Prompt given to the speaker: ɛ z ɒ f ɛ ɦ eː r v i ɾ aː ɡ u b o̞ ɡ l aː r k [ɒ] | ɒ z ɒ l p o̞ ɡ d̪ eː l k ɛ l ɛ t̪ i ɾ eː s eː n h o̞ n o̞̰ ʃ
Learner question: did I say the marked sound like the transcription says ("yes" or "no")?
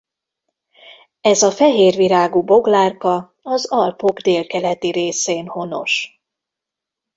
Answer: yes